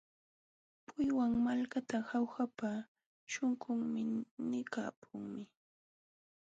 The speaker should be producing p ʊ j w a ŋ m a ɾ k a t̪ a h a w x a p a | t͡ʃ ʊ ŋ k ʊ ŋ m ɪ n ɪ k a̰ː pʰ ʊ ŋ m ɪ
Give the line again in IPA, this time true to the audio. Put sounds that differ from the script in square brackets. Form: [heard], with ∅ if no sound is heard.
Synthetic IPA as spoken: p ʊ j w a ŋ m a [l] k a t̪ a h a w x a p a | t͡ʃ ʊ ŋ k ʊ ŋ m ɪ n ɪ k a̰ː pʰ ʊ ŋ m ɪ